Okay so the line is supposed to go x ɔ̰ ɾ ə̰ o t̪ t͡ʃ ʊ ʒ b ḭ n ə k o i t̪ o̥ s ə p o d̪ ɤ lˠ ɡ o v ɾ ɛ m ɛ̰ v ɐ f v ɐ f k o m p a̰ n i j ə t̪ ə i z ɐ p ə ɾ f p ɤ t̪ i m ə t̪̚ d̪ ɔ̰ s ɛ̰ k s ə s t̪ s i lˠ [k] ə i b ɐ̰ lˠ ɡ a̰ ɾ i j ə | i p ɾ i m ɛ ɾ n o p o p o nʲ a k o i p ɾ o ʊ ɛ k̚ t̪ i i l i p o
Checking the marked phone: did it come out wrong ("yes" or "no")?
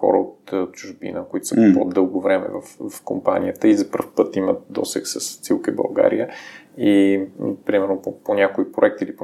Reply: no